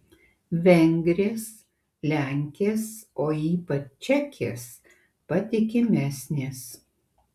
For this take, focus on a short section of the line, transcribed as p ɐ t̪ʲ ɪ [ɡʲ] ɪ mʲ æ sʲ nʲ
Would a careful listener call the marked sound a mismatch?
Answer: yes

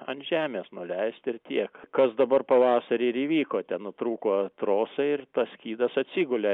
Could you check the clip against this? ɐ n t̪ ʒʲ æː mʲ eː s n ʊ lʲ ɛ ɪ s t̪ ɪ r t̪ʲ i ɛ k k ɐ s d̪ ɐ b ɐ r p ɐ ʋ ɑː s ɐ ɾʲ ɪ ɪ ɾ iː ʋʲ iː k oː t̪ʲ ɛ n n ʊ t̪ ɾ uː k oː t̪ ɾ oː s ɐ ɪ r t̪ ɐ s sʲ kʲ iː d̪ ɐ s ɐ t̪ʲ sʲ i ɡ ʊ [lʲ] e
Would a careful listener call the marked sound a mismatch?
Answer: no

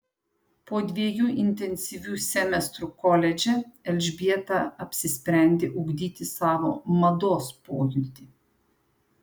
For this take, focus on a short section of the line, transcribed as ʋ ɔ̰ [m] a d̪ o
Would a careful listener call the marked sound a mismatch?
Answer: no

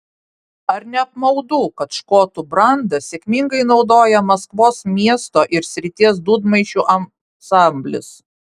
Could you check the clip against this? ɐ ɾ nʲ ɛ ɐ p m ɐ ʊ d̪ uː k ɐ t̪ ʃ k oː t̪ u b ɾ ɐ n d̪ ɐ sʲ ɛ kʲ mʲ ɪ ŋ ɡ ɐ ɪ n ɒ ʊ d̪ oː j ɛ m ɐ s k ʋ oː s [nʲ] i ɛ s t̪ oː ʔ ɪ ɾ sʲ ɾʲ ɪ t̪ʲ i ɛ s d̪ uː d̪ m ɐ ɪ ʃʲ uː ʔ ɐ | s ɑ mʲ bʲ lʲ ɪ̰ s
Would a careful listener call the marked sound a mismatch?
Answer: yes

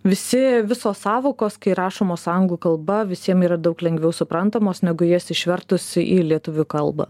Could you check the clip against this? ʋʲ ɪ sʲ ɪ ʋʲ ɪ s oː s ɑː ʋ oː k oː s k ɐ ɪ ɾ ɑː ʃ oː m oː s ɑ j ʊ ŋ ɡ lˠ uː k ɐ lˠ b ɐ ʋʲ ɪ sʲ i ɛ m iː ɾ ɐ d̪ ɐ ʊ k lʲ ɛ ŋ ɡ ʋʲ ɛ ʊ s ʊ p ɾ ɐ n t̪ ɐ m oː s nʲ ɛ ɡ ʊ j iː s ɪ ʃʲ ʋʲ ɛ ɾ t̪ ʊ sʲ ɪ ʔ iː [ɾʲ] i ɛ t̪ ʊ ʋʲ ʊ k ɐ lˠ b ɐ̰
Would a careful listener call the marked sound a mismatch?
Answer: yes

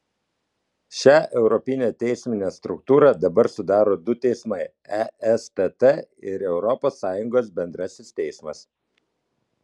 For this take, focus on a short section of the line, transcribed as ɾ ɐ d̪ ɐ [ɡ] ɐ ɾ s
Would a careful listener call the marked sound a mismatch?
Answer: yes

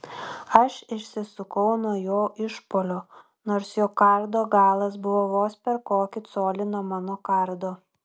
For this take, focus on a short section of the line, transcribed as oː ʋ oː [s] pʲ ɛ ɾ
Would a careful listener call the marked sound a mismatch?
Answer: no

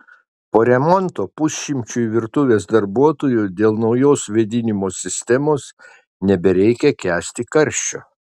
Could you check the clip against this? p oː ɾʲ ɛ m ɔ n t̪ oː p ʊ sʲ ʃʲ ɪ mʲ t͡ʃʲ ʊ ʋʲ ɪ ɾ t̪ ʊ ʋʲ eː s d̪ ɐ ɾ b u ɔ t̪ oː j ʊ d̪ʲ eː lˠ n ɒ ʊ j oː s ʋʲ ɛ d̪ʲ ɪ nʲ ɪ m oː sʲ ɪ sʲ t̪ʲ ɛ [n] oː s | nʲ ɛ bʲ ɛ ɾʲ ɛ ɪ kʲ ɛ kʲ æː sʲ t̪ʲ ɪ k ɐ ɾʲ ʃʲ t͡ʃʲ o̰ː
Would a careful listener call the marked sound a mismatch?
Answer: yes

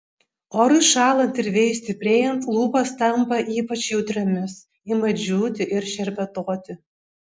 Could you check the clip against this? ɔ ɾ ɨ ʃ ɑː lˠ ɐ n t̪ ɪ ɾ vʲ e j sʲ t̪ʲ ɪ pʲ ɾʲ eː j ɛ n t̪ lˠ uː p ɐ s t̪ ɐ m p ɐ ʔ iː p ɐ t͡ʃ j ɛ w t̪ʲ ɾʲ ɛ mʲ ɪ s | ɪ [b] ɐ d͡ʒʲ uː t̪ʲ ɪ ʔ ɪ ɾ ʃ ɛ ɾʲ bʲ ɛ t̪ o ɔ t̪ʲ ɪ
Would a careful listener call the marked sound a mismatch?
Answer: yes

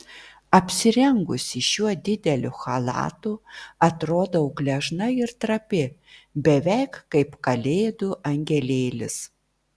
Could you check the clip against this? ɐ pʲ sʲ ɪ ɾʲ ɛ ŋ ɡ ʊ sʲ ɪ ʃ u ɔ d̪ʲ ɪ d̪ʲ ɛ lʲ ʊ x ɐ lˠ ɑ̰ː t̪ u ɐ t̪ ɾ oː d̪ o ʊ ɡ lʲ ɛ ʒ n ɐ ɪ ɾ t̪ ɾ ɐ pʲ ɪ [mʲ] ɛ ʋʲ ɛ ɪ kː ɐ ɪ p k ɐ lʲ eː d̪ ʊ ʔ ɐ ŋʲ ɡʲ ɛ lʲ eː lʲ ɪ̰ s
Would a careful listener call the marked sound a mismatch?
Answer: yes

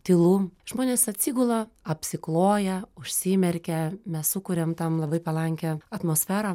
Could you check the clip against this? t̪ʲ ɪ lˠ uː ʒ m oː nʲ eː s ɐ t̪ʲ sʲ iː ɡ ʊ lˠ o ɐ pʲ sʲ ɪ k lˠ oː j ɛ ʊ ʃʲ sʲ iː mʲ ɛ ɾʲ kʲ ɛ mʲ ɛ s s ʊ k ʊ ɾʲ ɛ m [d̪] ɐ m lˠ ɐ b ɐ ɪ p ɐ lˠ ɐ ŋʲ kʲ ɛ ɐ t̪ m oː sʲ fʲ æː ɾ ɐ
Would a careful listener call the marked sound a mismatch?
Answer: yes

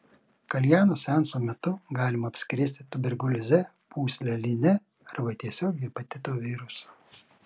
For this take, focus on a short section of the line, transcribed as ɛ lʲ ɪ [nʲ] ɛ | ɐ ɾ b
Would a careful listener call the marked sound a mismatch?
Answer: no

